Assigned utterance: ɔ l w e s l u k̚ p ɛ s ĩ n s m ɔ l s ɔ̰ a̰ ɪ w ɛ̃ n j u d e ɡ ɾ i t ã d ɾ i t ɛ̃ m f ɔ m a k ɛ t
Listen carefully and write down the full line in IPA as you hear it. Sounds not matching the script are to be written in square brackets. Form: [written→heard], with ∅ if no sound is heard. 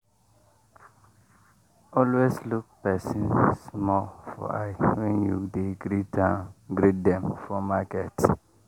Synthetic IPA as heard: ɔ l w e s l u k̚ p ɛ s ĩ n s m ɔ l [s→f] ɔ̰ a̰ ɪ w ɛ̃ n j u d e ɡ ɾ i t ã [d→ɡ] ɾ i [t→d] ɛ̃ m f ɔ m a k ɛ t